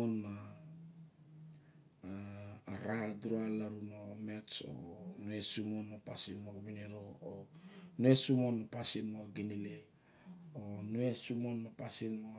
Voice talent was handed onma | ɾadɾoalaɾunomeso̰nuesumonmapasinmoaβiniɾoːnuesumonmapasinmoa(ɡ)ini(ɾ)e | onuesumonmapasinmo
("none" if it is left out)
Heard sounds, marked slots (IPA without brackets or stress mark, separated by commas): ɡ, l